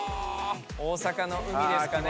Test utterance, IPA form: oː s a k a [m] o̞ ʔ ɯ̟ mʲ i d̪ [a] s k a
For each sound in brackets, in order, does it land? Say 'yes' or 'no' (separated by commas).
no, no